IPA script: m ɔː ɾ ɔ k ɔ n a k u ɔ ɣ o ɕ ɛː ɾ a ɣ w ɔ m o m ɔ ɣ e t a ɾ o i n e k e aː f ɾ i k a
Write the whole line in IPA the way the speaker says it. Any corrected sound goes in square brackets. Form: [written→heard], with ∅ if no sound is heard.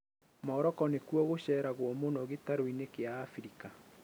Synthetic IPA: m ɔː ɾ ɔ k ɔ n [a→e] k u ɔ ɣ o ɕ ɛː ɾ a ɣ w ɔ m o [m→n] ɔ ɣ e t a ɾ o i n e k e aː f ɾ i k a